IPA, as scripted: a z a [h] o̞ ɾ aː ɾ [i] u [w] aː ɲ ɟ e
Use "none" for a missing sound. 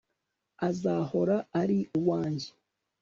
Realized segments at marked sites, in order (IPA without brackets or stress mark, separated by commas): h, i, w